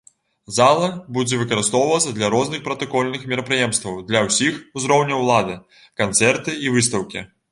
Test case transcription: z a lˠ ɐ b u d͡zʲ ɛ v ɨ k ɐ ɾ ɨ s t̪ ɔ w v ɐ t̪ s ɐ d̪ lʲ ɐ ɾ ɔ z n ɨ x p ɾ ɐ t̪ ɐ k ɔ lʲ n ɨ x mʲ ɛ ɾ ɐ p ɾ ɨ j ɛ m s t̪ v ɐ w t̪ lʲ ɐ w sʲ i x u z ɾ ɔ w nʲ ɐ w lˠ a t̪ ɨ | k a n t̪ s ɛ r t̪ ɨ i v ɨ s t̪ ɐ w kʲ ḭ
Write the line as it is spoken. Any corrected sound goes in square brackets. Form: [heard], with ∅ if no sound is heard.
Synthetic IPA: z a lˠ ɐ b u d͡zʲ ɛ v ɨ k ɐ ɾ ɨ s t̪ ɔ w v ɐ t̪ s ɐ d̪ lʲ ɐ ɾ ɔ z n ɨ x p ɾ ɐ t̪ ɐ k ɔ lʲ n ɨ x mʲ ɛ ɾ ɐ p ɾ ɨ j ɛ m s t̪ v ɐ w [d̪] lʲ ɐ w sʲ i x u z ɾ ɔ w nʲ ɐ w lˠ a [d̪] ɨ | k a n t̪ s ɛ r t̪ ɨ i v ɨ s t̪ ɐ w kʲ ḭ